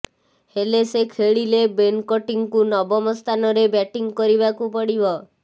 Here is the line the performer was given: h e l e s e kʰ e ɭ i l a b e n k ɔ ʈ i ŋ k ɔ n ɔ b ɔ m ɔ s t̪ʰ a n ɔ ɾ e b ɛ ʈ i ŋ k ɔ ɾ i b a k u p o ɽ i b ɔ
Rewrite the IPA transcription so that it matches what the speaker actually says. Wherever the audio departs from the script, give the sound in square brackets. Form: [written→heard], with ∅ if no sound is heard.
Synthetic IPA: h e l e s e kʰ e ɭ i l [a→e] b e n k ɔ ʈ i ŋ k [ɔ→u] n ɔ b ɔ m ɔ s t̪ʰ a n ɔ ɾ e b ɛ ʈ i ŋ k ɔ ɾ i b a k u p [o→ɔ] ɽ i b ɔ